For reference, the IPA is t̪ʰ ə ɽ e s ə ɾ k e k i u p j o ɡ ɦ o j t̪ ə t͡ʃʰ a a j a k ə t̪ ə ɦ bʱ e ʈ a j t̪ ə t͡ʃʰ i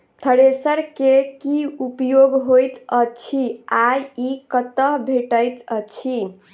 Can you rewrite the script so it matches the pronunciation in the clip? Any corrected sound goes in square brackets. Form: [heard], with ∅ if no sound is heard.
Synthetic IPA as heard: t̪ʰ ə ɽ e s ə ɾ k e k i u p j o ɡ ɦ o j t̪ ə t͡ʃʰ [i] a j [i] k ə t̪ ə ɦ bʱ e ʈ [ə] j t̪ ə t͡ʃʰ i